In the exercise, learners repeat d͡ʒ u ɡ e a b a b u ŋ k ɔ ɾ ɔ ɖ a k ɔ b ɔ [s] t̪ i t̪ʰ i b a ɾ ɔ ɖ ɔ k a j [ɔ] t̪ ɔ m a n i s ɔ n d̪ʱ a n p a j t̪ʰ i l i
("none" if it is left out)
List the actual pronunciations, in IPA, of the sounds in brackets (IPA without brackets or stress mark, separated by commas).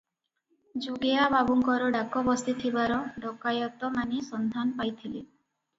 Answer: s, ɔ